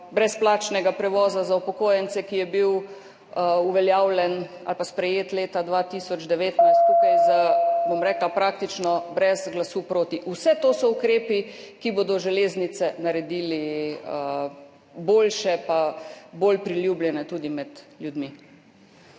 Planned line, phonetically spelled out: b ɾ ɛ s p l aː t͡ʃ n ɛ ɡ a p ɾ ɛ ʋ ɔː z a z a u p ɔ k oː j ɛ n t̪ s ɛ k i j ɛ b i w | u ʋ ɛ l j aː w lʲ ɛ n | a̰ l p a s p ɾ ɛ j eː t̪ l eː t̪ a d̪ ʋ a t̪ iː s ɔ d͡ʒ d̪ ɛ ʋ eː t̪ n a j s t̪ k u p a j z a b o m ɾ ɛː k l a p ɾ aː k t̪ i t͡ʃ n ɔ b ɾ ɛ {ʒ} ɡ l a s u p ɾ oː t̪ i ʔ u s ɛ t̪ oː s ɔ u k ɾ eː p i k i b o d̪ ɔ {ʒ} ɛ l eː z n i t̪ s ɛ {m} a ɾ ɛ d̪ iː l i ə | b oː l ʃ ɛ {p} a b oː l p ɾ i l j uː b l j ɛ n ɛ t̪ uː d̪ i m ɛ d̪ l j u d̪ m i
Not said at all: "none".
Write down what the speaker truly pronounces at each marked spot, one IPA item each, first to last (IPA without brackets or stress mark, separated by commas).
z, ʒ, n, p